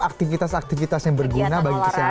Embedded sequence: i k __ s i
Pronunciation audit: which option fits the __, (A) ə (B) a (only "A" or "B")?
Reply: A